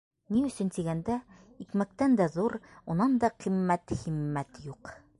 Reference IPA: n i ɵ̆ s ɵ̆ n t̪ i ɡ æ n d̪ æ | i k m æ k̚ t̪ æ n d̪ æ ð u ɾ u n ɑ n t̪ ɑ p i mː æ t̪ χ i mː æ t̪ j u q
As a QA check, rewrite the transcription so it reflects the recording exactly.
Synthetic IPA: n i ɵ̆ s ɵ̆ n t̪ i ɡ æ n d̪ æ | i k m æ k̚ t̪ æ n d̪ æ ð u ɾ u n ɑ n d̪ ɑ q i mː æ t̪ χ i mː æ t̪ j u q